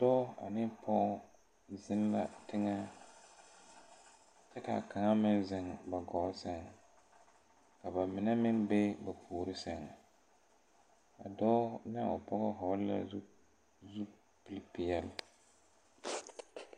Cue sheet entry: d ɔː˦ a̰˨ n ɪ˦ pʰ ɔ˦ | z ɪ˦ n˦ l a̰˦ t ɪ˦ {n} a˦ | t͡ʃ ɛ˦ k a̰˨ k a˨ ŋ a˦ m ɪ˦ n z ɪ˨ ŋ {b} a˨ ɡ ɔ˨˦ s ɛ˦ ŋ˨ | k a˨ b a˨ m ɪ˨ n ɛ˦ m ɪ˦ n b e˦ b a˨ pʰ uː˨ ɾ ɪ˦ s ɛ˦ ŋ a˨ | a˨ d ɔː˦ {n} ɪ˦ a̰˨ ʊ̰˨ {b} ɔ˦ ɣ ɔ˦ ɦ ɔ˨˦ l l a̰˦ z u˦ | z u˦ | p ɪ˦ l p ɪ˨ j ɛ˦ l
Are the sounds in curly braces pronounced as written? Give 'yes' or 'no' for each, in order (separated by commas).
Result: no, yes, yes, no